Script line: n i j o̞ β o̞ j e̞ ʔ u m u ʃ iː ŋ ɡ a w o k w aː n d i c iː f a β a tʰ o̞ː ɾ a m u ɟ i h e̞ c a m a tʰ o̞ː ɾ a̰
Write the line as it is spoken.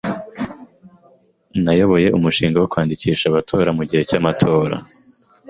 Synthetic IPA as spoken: n a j o̞ β o̞ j e̞ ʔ u m u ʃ iː ŋ ɡ a w o k w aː n d i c iː ʃ a β a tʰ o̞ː ɾ a m u ɟ i h e̞ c a m a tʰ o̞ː ɾ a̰